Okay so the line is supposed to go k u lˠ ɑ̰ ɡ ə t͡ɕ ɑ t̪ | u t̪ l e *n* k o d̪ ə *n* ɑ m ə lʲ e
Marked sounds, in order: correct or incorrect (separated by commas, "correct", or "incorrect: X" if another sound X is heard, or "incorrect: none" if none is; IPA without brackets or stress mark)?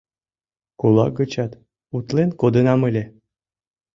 correct, correct